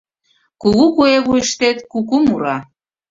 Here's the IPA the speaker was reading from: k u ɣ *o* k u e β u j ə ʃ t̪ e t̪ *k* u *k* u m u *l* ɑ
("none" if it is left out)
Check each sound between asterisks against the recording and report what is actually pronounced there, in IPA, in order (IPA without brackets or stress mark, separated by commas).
u, k, k, ɾ